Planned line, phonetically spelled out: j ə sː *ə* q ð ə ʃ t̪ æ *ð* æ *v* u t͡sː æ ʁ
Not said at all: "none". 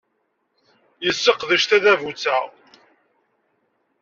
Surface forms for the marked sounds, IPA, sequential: ə, ð, v

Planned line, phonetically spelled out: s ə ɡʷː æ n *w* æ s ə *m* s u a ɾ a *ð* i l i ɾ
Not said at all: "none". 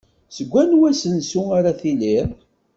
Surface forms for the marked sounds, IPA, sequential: w, n, θ

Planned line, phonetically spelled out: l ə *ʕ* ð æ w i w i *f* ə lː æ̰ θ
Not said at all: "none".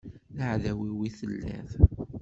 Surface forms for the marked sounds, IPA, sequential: ʕ, θ

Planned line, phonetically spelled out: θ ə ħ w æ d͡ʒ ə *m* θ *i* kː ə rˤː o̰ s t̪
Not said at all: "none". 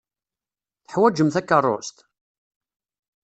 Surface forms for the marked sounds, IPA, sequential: m, æ

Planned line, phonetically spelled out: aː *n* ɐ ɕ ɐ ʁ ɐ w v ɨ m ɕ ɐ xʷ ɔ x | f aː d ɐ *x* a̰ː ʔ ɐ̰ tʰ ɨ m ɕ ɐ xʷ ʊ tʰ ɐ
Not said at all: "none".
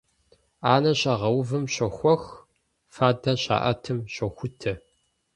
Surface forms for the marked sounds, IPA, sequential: n, ɕ

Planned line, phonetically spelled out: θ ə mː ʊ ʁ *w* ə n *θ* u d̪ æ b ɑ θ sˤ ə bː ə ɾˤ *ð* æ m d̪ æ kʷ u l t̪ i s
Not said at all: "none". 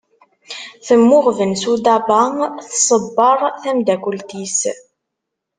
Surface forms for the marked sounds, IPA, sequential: v, s, θ

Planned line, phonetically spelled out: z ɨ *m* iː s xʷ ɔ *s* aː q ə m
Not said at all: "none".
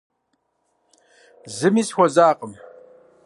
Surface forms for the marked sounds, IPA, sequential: m, z

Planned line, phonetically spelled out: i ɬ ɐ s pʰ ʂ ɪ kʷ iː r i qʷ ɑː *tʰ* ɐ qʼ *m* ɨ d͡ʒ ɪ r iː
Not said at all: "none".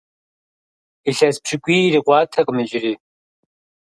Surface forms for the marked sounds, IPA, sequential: tʰ, m

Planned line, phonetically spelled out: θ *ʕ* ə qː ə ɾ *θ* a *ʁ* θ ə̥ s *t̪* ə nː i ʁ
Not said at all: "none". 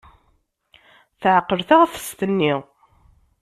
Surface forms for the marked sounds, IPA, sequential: ʕ, θ, ʁ, t̪

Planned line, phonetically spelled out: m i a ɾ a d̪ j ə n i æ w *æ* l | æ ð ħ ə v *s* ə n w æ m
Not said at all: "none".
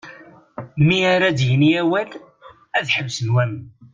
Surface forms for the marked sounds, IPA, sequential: æ, s

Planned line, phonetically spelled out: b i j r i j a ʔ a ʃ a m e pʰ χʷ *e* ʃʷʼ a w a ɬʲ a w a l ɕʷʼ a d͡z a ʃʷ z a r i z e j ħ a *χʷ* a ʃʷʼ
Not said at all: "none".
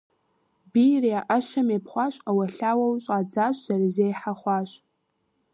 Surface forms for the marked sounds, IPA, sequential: a, χʷ

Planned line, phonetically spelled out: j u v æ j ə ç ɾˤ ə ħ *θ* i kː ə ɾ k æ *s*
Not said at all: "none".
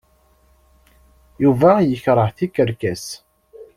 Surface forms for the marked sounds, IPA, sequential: θ, s

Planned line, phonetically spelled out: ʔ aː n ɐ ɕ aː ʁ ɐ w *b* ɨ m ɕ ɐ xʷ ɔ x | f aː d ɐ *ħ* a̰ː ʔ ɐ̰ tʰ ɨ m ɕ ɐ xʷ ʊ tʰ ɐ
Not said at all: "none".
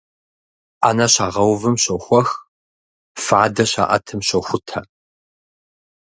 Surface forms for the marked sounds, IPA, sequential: v, ɕ

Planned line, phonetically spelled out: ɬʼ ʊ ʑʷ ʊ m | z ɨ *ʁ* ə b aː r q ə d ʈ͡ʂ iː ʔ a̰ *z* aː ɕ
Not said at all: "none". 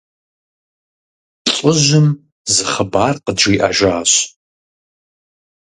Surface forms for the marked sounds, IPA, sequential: χ, ʒ

